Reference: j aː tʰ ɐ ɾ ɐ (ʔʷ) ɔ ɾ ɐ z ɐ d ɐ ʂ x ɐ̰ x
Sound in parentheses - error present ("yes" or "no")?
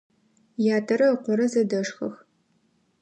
yes